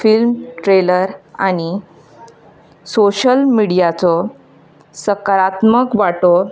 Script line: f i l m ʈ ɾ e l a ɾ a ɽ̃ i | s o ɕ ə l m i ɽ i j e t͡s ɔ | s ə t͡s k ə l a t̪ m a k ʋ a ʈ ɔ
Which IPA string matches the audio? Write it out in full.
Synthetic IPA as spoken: f i l m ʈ ɾ e l ə ɾ a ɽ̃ i | s o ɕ ə l m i ɽ i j a t͡s ɔ | s ə k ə ɾ a t̪ m ə k ʋ a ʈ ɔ